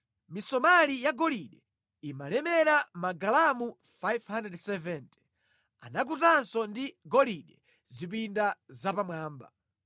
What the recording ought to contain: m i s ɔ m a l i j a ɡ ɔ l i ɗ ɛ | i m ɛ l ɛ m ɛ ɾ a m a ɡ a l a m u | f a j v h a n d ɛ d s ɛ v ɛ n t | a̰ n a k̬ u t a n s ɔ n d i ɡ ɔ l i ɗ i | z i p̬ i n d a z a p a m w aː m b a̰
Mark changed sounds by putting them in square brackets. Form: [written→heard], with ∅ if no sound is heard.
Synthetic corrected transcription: m i s ɔ m a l i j a ɡ ɔ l i ɗ ɛ | i m [ɛ→a] l ɛ m ɛ ɾ a m a ɡ a l a m u | f a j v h a n d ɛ d s ɛ v ɛ n t | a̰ n a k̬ u t a n s ɔ n d i ɡ ɔ l i ɗ [i→ɛ] | z i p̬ i n d a z a p a m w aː m b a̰